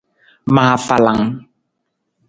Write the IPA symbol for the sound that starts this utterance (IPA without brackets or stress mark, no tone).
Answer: m